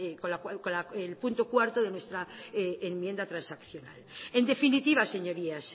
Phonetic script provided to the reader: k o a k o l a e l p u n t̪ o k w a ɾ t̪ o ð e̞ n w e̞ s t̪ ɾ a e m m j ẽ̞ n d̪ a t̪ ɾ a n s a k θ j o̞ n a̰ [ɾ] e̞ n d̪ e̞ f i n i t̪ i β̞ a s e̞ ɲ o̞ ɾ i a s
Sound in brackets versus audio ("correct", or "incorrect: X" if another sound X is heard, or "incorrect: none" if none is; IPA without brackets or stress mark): incorrect: l